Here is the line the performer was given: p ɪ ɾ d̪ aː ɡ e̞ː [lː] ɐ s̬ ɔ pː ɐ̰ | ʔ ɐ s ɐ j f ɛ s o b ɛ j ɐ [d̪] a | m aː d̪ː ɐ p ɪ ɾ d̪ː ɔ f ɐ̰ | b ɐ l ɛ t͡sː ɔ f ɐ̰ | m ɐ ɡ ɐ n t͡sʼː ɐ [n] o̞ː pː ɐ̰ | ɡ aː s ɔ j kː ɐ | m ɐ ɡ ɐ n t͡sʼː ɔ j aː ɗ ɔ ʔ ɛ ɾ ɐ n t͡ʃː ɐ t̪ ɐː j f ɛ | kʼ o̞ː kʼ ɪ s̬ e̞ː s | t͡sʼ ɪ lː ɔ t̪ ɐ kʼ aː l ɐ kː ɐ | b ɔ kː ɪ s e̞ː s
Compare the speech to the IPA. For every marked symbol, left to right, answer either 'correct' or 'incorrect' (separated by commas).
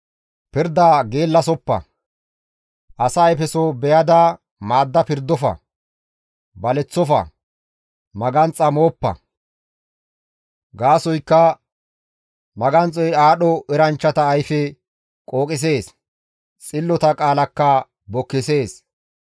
correct, correct, incorrect